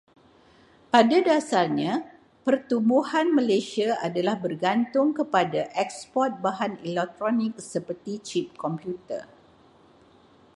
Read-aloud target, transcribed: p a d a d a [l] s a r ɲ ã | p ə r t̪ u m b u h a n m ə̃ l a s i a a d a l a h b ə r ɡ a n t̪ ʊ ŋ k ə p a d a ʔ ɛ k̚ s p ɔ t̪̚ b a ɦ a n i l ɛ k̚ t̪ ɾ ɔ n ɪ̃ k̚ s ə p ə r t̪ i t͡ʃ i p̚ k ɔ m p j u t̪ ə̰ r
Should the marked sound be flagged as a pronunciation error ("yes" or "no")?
yes